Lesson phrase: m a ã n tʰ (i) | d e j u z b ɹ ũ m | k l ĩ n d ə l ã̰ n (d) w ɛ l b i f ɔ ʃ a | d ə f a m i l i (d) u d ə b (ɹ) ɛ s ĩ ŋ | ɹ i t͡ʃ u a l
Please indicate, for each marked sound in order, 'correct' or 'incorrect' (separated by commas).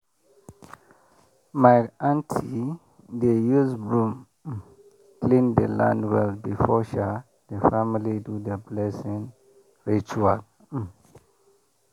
correct, correct, correct, incorrect